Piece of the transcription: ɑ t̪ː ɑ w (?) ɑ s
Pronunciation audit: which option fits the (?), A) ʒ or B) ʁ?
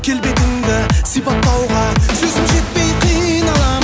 B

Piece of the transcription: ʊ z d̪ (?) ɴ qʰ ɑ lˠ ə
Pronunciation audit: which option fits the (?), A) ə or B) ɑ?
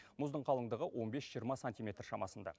A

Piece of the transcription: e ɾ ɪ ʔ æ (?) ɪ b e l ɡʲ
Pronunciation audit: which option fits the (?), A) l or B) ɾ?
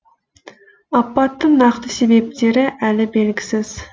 A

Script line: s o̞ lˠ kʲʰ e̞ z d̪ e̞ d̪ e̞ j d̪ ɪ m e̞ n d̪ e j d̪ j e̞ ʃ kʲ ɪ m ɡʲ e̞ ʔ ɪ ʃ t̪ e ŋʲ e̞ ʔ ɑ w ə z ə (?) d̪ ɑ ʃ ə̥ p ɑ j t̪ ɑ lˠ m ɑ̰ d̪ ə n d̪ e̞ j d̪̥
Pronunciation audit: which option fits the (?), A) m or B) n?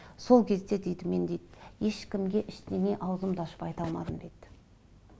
A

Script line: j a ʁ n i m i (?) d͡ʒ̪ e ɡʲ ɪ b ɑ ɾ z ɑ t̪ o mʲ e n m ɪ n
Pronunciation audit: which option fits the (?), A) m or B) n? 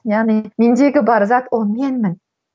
B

